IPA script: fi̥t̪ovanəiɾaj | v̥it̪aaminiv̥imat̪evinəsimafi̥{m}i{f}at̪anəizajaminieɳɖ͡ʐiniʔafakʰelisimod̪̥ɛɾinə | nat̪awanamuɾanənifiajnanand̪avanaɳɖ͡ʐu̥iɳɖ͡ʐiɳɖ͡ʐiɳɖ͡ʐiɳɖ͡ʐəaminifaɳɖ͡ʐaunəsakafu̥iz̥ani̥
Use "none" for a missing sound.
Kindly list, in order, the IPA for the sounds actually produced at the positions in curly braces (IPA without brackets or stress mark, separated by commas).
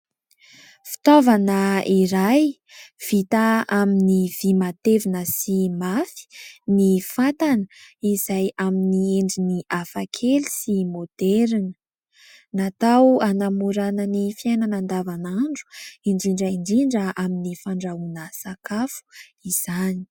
n, f